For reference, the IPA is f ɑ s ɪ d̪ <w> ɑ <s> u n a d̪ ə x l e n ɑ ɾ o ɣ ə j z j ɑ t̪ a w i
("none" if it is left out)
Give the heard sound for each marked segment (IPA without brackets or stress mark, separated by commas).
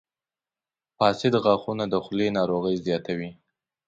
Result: ɣ, x